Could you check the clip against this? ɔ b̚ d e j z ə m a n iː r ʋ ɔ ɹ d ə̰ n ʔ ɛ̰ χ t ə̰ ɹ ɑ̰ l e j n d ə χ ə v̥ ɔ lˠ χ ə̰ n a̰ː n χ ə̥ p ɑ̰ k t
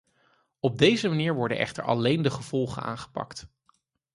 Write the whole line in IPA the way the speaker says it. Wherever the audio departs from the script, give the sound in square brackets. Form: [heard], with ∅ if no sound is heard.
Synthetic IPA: ɔ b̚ d e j z ə m a n iː [ɹ] ʋ ɔ ɹ d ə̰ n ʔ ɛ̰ χ t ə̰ ɹ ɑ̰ l e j n d ə χ ə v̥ ɔ lˠ χ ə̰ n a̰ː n χ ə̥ p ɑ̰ k t